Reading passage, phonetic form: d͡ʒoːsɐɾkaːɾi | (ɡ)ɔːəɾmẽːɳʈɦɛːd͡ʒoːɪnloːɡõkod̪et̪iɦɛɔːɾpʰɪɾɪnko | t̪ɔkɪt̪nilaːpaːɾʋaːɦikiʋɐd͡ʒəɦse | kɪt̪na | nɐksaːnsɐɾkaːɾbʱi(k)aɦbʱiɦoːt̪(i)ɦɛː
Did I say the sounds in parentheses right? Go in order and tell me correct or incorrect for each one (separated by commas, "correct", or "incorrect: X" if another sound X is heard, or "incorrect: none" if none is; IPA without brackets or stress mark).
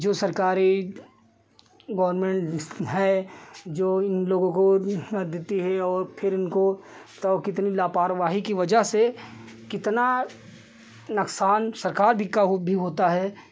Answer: correct, correct, incorrect: a